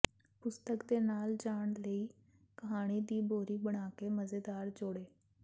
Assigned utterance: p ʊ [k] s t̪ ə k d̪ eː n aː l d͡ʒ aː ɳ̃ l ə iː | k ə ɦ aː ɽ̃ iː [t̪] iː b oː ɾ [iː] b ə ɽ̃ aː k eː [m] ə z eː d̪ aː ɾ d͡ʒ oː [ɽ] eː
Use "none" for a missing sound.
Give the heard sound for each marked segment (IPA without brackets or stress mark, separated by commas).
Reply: none, d̪, iː, m, ɽ